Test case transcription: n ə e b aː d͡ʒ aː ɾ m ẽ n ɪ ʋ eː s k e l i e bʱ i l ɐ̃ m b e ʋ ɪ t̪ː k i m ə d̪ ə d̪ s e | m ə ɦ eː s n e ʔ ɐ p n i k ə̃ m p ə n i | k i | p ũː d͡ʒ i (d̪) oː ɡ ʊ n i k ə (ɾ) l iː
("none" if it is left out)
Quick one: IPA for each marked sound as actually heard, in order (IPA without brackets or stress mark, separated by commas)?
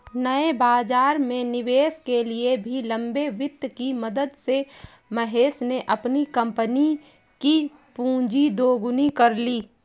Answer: d̪, ɾ